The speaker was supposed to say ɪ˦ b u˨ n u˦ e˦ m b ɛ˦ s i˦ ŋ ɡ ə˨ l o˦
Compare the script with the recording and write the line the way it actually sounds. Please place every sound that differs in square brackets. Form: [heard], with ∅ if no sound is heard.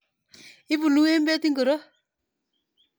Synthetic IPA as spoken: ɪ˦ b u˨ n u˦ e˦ m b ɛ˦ [t] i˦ ŋ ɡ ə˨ [ɾ] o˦